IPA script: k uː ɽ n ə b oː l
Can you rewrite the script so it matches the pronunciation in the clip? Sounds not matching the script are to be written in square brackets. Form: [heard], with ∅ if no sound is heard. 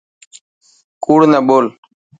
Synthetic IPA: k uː ɽ n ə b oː l